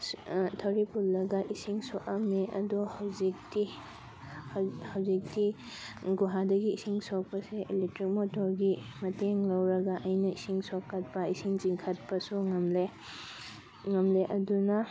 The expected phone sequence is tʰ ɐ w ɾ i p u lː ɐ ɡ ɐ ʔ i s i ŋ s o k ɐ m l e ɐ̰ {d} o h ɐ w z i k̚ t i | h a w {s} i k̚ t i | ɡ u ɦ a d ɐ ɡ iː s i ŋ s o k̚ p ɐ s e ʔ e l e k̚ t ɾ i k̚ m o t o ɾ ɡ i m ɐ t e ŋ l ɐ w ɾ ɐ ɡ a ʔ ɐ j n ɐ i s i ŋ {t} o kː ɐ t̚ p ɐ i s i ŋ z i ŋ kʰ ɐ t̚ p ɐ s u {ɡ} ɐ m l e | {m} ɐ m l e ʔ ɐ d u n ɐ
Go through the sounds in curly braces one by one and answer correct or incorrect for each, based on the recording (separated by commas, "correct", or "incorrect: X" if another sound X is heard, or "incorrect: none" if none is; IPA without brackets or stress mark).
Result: correct, incorrect: z, incorrect: s, incorrect: ŋ, incorrect: ŋ